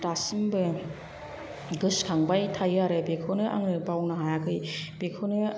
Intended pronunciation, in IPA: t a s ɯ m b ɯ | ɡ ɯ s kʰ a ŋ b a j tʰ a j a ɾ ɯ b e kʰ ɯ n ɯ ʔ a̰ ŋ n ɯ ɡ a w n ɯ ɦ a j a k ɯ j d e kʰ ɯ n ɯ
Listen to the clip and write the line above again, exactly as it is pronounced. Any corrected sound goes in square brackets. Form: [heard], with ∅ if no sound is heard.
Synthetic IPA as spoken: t a s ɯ m b ɯ | ɡ ɯ s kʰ a ŋ b a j tʰ a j a ɾ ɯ b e kʰ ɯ n ɯ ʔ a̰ ŋ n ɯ [b] a w n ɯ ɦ a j a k ɯ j [b] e kʰ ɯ n ɯ